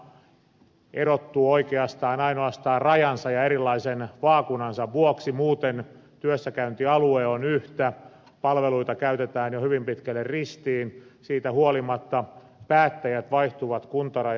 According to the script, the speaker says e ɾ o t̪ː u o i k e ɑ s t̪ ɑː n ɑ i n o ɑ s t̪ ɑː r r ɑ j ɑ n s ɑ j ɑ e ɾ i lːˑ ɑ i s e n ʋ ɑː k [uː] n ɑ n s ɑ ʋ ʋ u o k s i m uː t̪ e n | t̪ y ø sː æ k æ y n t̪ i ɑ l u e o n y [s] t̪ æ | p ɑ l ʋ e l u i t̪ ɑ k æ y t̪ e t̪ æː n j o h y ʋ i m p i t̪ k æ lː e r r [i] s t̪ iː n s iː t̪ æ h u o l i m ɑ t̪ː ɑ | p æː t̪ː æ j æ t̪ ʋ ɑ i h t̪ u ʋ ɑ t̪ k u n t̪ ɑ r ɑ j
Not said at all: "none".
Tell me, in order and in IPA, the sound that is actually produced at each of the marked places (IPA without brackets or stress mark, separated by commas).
u, h, i